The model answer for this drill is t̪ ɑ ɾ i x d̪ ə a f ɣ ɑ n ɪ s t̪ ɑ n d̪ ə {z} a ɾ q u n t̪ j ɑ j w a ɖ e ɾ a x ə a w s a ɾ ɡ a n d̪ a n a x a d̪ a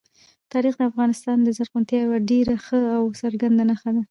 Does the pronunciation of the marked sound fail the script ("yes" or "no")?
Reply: no